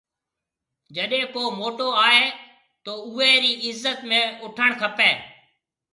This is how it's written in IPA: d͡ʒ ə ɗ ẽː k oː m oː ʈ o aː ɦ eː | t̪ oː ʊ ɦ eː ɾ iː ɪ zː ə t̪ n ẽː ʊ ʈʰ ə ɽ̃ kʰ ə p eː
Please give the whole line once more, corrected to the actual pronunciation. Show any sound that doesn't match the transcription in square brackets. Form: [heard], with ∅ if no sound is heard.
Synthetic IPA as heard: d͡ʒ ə ɗ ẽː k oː m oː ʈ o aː ɦ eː | t̪ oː ʊ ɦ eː ɾ iː ɪ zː ə t̪ [m] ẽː ʊ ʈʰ ə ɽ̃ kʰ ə p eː